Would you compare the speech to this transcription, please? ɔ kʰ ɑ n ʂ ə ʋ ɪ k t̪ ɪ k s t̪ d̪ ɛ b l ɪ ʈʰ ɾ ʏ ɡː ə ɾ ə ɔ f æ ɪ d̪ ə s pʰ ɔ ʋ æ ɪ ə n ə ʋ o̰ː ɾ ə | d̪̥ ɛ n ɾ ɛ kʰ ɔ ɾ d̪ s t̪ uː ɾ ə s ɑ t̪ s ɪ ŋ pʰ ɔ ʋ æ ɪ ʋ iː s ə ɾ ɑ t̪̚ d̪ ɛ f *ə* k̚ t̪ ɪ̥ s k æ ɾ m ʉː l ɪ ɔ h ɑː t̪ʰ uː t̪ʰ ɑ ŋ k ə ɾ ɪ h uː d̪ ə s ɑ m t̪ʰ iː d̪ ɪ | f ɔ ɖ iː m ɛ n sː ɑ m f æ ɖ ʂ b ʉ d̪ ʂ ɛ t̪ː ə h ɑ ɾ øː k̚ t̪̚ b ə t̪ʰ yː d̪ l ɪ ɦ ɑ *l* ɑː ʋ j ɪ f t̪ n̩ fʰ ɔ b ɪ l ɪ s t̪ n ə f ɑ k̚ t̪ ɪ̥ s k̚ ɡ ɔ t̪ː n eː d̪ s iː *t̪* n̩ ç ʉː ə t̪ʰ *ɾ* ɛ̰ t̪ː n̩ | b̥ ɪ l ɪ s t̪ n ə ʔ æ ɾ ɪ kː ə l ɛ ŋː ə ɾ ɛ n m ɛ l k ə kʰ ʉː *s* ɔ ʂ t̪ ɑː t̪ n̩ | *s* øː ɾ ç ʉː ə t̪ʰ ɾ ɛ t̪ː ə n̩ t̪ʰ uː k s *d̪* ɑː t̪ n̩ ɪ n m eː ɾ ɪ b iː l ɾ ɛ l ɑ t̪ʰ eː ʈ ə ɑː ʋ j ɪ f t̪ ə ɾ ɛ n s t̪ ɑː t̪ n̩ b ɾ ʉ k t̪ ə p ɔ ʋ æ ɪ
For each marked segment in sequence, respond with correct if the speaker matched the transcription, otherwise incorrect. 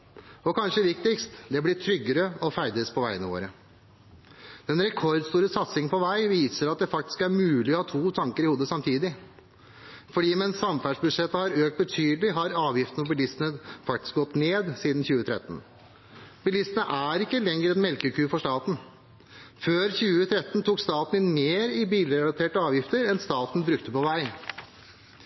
incorrect, incorrect, incorrect, correct, incorrect, incorrect, incorrect

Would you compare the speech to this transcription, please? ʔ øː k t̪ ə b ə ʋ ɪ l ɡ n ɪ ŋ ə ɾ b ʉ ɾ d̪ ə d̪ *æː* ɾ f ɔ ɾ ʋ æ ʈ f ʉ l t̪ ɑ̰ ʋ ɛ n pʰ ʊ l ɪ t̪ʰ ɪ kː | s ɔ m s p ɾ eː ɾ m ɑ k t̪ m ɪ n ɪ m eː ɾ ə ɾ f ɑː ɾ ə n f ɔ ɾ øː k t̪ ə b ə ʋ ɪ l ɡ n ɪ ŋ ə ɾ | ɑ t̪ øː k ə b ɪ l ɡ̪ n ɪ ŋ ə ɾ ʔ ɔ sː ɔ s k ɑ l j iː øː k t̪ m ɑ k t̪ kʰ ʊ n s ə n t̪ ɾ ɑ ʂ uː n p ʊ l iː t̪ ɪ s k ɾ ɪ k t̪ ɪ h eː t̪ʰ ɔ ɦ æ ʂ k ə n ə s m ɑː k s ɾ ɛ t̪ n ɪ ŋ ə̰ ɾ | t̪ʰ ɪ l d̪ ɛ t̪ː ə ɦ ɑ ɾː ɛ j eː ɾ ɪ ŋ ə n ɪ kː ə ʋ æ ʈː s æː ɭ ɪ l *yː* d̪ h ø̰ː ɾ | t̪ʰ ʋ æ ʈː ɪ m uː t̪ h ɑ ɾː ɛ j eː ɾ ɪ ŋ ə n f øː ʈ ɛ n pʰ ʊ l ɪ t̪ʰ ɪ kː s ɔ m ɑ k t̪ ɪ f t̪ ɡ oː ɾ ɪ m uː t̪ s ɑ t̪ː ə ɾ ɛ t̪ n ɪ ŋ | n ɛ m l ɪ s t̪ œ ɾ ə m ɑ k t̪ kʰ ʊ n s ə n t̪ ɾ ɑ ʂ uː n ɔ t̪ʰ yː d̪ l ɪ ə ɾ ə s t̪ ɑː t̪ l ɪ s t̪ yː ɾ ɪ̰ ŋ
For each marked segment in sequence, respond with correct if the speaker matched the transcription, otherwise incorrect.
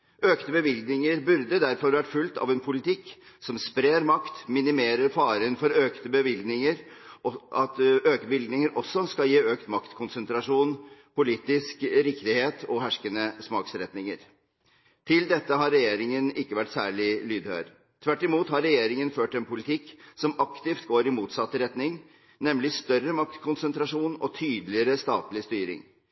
incorrect, correct

